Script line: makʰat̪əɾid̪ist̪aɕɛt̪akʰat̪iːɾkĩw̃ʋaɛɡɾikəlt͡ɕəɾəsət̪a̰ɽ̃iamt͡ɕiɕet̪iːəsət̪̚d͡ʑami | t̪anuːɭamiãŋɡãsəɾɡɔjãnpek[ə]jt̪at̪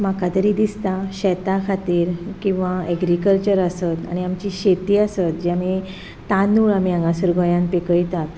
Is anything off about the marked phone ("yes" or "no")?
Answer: no